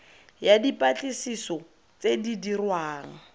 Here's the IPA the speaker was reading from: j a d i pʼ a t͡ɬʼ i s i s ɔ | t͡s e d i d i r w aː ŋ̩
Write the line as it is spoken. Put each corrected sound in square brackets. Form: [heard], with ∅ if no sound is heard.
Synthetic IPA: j a d i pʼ a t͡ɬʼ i s i s ɔ | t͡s e d i d i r w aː ŋ̩